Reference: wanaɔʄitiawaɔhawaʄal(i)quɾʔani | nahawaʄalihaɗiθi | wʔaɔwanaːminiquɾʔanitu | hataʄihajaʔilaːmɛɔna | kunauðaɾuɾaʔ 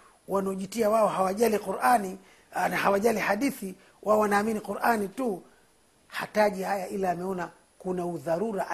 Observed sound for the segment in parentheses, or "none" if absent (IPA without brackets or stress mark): i